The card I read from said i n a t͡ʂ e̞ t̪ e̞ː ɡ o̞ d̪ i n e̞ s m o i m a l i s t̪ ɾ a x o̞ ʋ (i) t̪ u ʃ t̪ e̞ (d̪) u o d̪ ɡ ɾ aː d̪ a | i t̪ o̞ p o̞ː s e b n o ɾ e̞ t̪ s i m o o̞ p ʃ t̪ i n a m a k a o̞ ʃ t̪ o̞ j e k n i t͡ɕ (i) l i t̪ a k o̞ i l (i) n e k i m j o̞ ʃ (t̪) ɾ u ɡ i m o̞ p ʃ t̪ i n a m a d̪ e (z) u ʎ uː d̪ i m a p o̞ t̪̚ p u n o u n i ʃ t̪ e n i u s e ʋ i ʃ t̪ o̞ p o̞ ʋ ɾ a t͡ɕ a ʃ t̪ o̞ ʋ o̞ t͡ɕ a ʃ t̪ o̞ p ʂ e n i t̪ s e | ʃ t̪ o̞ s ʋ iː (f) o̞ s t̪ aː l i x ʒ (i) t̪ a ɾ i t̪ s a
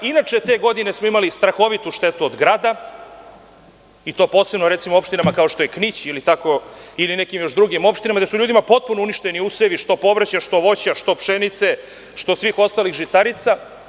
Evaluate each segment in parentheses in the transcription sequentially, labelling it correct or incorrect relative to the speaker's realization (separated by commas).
correct, incorrect, correct, correct, incorrect, incorrect, incorrect, correct